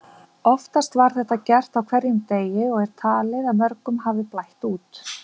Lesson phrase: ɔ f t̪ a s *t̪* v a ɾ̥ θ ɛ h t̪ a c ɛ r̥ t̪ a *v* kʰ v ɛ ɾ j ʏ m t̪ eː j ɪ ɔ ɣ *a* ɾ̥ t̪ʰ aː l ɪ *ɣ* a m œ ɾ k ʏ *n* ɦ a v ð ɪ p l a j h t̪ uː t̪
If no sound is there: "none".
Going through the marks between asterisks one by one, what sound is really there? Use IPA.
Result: t̪, w, ɛ, ð, m

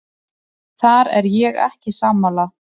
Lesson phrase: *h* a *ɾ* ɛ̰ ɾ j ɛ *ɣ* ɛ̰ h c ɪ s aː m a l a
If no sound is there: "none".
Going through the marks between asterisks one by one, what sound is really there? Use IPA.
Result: θ, ɾ, ɣ

